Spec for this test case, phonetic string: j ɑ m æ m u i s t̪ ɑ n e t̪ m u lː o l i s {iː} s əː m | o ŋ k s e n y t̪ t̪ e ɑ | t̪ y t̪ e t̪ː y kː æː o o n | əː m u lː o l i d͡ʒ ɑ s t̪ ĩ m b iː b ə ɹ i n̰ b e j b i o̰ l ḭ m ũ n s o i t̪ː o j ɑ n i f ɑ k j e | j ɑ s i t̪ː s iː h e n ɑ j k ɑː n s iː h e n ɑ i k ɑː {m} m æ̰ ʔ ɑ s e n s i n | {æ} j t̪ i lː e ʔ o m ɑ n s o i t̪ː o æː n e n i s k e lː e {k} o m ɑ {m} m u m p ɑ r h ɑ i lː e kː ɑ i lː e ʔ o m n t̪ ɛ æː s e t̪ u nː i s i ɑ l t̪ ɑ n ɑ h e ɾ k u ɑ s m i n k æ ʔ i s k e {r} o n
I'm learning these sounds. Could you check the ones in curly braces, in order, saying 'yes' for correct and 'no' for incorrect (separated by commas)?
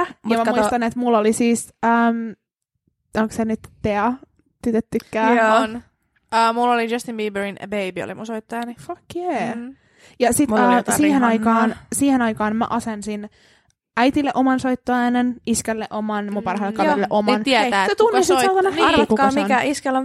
yes, no, yes, no, no, no